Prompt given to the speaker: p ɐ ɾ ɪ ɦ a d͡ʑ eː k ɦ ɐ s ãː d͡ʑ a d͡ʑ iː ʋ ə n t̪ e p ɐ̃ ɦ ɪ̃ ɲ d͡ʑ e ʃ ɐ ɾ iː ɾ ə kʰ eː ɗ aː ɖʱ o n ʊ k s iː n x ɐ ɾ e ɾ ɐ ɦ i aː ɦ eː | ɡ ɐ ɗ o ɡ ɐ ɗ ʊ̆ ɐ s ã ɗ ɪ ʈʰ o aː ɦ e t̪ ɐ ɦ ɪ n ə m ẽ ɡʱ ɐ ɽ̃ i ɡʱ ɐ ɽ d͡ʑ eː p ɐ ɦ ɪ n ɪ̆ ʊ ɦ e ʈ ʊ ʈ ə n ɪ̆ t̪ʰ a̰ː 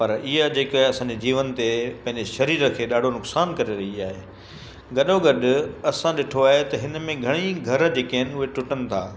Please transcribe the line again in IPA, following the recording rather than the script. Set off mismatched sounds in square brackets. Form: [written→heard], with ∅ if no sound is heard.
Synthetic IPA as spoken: p ɐ ɾ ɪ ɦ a d͡ʑ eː k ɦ ɐ s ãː d͡ʑ [a→e] d͡ʑ iː ʋ ə n t̪ e p ɐ̃ ɦ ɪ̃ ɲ d͡ʑ e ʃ ɐ ɾ iː ɾ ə kʰ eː ɗ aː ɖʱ o n ʊ k s [iː→aː] n [x→k] ɐ ɾ e ɾ ɐ ɦ i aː ɦ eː | ɡ ɐ ɗ o ɡ ɐ ɗ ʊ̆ ɐ s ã ɗ ɪ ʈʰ o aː ɦ e t̪ ɐ ɦ ɪ n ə m ẽ ɡʱ ɐ ɽ̃ i ɡʱ ɐ [ɽ→ɾ] d͡ʑ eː [p→k] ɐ ɦ ɪ n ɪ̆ ʊ ɦ e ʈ ʊ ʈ ə n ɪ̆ t̪ʰ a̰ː